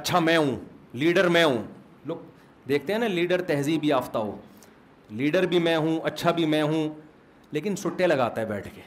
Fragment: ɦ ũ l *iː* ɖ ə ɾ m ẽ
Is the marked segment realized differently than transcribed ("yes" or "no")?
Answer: no